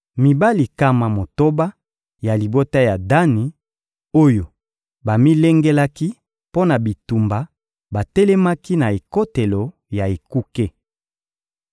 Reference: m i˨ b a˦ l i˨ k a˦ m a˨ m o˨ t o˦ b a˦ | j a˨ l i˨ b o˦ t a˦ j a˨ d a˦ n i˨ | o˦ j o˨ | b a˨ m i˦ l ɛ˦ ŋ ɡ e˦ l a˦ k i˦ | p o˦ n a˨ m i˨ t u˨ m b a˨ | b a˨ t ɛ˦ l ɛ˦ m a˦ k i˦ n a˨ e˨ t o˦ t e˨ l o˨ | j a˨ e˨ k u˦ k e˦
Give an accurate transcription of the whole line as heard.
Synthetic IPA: m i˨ b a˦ l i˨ k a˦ m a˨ m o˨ t o˦ b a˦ | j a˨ l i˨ b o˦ t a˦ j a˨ d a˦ n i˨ | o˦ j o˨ | b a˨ m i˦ l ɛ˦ ŋ ɡ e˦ l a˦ k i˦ | p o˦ n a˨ b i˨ t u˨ m b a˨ | b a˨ t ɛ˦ l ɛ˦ m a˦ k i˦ n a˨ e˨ k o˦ t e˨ l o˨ | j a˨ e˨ k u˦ k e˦